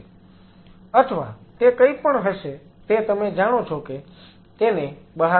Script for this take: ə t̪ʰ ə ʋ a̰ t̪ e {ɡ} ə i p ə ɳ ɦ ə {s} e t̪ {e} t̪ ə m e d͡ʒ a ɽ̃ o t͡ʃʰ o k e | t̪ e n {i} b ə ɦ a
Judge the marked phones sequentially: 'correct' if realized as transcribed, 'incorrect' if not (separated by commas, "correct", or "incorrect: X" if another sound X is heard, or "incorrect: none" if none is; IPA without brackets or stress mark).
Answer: incorrect: k, incorrect: ʃ, correct, incorrect: e